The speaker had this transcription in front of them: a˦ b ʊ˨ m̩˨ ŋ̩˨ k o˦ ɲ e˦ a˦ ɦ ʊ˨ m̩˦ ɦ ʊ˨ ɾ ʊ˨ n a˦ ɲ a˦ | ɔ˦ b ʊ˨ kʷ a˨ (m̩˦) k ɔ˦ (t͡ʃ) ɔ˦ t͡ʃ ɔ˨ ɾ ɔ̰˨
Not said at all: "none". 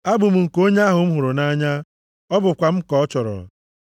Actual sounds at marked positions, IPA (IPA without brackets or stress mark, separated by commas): m̩˦, none